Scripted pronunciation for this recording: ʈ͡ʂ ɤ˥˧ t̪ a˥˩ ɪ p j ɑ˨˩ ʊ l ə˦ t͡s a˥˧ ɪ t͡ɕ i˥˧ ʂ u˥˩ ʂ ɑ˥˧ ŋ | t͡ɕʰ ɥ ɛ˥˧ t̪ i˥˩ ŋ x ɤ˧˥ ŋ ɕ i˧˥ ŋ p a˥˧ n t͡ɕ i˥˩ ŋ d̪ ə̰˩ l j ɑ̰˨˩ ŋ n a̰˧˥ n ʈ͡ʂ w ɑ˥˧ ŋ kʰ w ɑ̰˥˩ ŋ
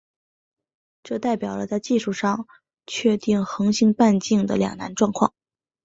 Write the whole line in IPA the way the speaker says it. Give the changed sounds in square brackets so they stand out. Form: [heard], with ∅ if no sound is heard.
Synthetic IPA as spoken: ʈ͡ʂ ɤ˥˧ t̪ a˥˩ ɪ p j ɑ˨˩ ʊ l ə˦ t͡s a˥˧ ɪ t͡ɕ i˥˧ ʂ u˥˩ ʂ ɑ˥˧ ŋ | t͡ɕʰ ɥ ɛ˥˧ t̪ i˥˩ ŋ x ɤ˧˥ ŋ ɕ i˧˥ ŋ p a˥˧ n t͡ɕ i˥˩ ŋ d̪ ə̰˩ l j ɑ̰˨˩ ŋ n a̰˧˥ n ʈ͡ʂ w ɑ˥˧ ŋ kʰ w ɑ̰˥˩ ŋ